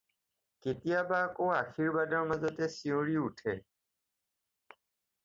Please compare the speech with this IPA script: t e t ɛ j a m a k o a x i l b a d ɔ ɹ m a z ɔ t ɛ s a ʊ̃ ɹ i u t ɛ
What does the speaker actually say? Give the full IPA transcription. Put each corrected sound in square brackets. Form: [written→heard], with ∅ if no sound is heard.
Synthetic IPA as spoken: [t→k] e t [ɛ→i] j a [m→b] a k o a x i [l→ɹ] b a d ɔ ɹ m a z ɔ t ɛ s [a→i] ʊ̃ ɹ i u [t→tʰ] ɛ

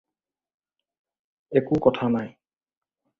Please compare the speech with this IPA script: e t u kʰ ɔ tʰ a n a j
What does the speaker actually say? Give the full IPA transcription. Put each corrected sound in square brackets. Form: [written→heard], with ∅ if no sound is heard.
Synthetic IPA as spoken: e [t→k] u [kʰ→k] ɔ tʰ a n a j

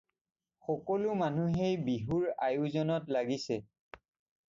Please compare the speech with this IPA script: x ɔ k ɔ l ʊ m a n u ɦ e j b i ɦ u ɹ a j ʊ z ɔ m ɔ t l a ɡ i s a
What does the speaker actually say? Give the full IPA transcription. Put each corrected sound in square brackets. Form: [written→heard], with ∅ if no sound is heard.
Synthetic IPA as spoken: x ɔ k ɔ l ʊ m a n u ɦ e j b i ɦ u ɹ a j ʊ z ɔ [m→n] ɔ t l a ɡ i s [a→ɛ]

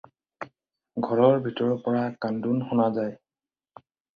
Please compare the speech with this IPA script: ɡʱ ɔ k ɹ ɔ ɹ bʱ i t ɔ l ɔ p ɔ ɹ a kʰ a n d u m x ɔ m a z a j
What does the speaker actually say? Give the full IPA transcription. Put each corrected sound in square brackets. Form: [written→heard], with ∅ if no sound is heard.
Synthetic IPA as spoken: ɡʱ ɔ [k→∅] ɹ ɔ ɹ bʱ i t ɔ [l→ɹ] ɔ p ɔ ɹ a [kʰ→k] a n d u [m→n] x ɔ [m→n] a z a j

